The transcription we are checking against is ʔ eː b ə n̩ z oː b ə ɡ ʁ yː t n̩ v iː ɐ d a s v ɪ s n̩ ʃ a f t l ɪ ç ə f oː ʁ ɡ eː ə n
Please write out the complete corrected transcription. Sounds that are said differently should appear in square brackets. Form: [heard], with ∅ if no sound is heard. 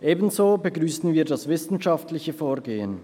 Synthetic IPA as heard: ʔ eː b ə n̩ z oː b ə ɡ ʁ yː [s] n̩ v iː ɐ d a s v ɪ s n̩ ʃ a f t l ɪ ç ə f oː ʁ ɡ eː ə n